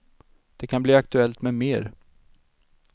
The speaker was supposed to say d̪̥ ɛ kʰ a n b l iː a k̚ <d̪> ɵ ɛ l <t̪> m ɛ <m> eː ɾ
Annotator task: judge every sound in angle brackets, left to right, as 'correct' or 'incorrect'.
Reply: incorrect, correct, correct

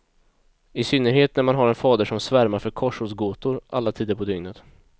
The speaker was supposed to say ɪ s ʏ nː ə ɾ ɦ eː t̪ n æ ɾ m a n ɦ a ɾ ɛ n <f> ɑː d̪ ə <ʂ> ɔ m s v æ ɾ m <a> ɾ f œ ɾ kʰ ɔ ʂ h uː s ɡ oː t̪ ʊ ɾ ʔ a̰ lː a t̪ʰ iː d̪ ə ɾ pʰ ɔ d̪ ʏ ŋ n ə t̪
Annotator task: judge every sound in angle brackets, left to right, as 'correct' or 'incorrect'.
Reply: correct, correct, correct

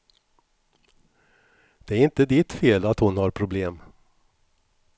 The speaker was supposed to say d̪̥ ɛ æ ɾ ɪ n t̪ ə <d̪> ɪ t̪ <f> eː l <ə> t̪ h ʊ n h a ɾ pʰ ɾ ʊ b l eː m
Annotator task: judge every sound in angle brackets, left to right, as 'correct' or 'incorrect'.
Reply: correct, correct, incorrect

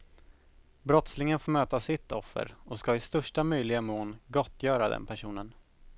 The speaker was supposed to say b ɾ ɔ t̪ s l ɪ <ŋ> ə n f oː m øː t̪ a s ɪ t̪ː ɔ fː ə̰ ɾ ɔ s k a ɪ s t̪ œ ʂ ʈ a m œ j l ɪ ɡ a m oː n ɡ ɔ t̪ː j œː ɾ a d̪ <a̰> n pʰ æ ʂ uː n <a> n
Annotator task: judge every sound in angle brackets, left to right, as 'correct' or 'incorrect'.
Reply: correct, incorrect, incorrect

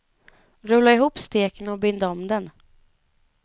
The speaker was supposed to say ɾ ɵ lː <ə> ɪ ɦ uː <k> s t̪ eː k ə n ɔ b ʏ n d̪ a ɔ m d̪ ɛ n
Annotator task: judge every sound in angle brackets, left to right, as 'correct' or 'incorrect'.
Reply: incorrect, incorrect

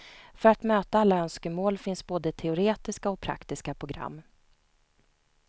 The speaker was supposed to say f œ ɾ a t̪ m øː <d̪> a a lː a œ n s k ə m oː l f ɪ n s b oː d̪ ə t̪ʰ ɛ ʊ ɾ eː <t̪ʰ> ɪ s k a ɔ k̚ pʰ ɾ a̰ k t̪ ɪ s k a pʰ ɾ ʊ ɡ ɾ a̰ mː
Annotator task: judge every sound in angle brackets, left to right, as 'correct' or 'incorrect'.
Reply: incorrect, incorrect

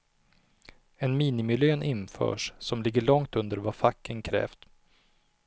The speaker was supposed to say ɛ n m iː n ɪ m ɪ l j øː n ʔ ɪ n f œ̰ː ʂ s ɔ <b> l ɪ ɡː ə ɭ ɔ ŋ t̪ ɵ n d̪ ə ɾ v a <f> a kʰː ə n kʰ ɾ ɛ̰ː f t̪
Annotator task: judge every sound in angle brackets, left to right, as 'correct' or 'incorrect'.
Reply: incorrect, correct

